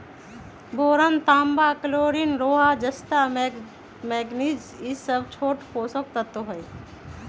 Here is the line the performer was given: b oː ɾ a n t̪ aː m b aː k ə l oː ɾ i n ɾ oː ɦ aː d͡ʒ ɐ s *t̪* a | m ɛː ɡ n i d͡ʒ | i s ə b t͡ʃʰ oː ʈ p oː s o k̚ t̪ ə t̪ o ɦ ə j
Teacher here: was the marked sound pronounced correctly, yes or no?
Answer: yes